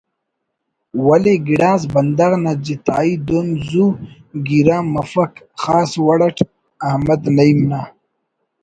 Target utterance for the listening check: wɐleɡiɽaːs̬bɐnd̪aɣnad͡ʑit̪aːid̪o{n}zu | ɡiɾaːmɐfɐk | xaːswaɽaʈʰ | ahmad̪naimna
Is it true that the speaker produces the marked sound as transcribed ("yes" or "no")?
yes